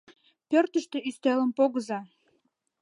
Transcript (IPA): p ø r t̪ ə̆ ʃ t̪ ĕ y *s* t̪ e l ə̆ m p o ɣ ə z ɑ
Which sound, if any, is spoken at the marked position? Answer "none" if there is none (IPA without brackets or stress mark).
s